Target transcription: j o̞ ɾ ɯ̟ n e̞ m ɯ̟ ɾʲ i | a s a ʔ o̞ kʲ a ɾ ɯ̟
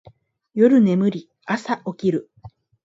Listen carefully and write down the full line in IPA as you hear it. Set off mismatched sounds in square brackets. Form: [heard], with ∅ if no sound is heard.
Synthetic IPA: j o̞ ɾ ɯ̟ n e̞ m ɯ̟ ɾʲ i | a s a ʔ o̞ kʲ [i] ɾ ɯ̟